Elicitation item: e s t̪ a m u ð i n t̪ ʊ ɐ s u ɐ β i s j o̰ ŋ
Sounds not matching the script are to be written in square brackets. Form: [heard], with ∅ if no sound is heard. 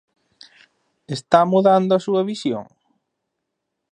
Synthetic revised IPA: e s t̪ a m u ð [a] n [d̪] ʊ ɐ s u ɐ β i s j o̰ ŋ